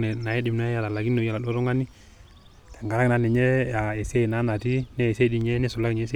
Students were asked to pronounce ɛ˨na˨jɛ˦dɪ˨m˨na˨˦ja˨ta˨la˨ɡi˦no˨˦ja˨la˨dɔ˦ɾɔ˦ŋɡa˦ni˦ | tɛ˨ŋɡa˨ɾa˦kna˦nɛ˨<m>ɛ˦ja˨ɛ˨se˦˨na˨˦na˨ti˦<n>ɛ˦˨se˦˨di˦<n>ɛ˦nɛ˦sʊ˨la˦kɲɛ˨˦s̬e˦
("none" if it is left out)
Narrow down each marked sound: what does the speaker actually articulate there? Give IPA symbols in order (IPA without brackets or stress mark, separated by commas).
ɲ, n, ɲ